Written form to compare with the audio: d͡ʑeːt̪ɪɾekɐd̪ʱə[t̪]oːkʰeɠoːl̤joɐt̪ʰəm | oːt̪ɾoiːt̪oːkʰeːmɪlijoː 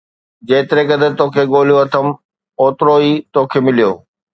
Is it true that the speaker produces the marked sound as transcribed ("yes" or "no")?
yes